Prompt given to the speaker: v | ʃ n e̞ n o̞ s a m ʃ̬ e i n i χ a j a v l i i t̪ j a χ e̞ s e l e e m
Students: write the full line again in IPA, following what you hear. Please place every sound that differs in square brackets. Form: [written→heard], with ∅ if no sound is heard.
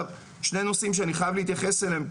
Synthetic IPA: v | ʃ n e̞ n o̞ s [a→i] m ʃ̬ e [i→a] n i χ a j a v l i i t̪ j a χ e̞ s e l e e m